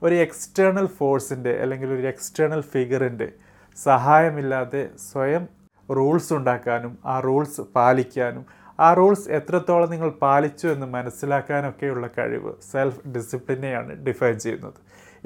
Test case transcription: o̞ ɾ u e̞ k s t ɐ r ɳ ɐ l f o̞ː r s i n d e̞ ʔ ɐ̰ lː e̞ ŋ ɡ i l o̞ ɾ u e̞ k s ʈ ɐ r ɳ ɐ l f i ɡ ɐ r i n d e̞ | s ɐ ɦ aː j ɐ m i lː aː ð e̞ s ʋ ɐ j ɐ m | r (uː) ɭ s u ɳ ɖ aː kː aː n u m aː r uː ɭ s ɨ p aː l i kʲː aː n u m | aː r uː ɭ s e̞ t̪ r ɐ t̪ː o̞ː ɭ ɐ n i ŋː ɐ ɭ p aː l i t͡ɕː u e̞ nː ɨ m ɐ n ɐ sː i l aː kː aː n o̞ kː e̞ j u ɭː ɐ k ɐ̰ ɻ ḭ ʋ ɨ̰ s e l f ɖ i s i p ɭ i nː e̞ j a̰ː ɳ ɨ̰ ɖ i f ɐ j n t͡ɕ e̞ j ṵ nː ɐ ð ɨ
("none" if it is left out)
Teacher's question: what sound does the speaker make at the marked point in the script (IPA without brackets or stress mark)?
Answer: uː